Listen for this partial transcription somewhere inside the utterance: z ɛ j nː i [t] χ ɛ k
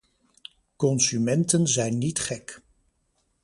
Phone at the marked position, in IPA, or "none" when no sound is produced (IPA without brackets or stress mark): t